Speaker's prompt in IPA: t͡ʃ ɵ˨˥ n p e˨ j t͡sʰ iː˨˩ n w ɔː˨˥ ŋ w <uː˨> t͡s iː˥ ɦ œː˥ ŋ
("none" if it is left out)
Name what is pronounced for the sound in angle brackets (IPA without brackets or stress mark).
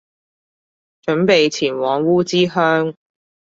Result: uː˥